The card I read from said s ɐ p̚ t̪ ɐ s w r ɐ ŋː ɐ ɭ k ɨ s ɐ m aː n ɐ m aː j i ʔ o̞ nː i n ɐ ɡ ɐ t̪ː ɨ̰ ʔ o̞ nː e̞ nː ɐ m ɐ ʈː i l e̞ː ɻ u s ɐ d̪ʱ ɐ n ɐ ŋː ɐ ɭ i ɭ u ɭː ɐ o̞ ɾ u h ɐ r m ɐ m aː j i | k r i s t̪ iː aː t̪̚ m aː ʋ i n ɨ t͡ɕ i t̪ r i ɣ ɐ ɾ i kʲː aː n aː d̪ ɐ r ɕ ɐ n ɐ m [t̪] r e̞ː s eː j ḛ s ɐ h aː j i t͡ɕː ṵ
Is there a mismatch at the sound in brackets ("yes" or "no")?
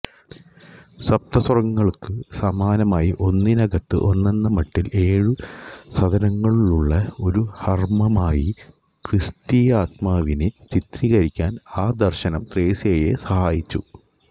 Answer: no